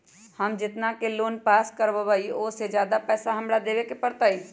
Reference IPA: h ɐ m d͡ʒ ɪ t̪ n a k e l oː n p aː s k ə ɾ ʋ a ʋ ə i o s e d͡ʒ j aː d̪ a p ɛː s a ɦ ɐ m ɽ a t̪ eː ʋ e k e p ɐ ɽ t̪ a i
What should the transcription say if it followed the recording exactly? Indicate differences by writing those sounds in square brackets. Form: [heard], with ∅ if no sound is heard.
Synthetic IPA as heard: h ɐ m d͡ʒ ɪ t̪ n a k e l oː n p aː s k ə ɾ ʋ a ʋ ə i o s e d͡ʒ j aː d̪ a p ɛː s a ɦ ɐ m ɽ a [d̪] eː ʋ e k e p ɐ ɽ t̪ a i